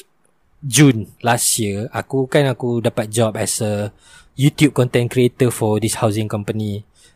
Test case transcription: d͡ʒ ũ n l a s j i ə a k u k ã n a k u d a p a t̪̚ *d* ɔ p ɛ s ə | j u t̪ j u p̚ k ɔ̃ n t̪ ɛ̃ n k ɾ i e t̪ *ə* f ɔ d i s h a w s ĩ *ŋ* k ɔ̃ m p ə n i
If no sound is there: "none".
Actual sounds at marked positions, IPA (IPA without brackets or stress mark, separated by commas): d͡ʒ, ə, ŋ